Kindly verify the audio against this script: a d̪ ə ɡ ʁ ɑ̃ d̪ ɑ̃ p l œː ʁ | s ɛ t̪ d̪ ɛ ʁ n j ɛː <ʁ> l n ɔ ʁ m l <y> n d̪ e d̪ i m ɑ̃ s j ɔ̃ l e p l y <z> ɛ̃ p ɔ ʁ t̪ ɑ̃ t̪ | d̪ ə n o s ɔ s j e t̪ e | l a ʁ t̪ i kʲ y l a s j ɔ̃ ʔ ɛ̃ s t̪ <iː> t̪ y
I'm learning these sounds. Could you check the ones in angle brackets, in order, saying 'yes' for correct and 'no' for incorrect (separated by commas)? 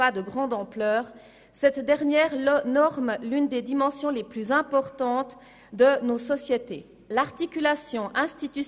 yes, yes, yes, no